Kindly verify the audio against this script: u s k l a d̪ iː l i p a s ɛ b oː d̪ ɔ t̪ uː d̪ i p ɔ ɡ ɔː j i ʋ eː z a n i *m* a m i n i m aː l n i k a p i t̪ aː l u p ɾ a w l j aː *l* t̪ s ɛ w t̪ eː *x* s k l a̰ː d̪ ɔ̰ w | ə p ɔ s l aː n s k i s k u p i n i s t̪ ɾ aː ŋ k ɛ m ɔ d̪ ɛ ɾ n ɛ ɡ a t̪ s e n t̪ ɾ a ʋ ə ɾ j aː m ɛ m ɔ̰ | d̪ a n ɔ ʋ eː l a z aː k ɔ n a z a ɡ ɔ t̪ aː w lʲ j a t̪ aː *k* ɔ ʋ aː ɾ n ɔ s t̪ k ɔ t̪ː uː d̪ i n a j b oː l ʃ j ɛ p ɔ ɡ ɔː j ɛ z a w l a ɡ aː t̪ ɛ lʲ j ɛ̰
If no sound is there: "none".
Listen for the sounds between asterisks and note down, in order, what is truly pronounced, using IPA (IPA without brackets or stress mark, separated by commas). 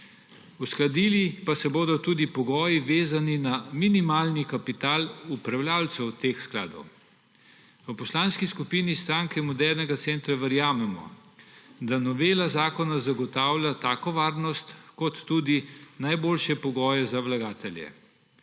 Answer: n, l, x, k